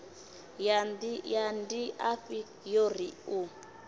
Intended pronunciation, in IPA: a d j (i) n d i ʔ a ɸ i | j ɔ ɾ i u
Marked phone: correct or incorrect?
incorrect